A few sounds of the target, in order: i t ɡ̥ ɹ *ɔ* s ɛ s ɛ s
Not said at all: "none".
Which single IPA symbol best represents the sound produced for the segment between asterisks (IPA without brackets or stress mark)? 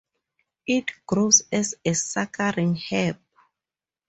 o